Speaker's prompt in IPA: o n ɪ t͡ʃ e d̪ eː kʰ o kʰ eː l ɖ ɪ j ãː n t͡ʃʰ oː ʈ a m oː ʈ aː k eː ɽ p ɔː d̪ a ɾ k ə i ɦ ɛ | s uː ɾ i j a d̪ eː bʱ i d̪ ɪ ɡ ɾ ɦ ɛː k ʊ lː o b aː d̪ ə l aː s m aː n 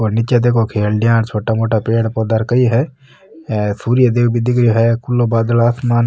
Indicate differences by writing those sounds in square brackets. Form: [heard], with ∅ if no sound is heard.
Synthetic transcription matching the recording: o n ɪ t͡ʃ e d̪ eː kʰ o kʰ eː l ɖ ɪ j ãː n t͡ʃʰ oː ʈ a m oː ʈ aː [p] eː ɽ p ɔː d̪ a ɾ k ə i ɦ ɛ | s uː ɾ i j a d̪ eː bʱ i d̪ ɪ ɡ ɾ ɦ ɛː k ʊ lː o b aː d̪ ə l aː s m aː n